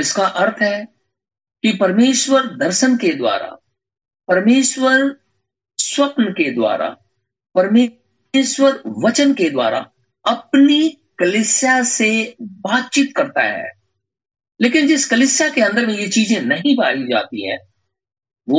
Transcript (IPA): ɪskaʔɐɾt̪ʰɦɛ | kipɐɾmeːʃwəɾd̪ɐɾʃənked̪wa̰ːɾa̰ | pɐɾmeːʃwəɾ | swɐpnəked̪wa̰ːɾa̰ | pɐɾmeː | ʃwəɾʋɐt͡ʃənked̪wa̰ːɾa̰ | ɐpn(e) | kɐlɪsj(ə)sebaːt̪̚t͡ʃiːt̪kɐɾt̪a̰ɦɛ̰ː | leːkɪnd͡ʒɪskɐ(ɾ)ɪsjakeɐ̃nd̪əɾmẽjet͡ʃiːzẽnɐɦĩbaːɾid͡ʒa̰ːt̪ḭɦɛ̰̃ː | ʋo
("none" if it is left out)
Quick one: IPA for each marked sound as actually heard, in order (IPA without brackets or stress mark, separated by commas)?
i, a, l